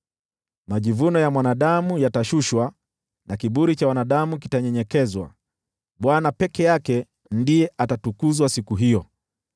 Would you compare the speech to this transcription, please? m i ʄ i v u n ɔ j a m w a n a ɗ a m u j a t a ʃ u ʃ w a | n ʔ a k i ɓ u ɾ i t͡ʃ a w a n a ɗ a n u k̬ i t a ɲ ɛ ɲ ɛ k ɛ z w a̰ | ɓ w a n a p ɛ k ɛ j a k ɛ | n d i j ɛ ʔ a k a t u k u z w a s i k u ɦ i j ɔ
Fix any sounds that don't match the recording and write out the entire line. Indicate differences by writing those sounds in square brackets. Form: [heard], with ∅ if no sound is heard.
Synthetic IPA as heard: m [a] ʄ i v u n ɔ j a m w a n a ɗ a m u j a t a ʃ u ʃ w a | n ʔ a k i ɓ u ɾ i t͡ʃ a w a n a ɗ a [m] u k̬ i t a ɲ ɛ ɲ ɛ k ɛ z w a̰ | ɓ w a n a p ɛ k ɛ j a k ɛ | n d i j ɛ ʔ a [t] a t u k u z w a s i k u ɦ i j ɔ